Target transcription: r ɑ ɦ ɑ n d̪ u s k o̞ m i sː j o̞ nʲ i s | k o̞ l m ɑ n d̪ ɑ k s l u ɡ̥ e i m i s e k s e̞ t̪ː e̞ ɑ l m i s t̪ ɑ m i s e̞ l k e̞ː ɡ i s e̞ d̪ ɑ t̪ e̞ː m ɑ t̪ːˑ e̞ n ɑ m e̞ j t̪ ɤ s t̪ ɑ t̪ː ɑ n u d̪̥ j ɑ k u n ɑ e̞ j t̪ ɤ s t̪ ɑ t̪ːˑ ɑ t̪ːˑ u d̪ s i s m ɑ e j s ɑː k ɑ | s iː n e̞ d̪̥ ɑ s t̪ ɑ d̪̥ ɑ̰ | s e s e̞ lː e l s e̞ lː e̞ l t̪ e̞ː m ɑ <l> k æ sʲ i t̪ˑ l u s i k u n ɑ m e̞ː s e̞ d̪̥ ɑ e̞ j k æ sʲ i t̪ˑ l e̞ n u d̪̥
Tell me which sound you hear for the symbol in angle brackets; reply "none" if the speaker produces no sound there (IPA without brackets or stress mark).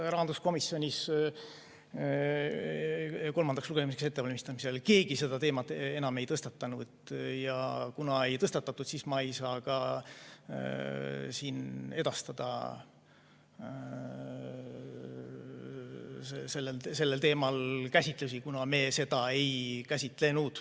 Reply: l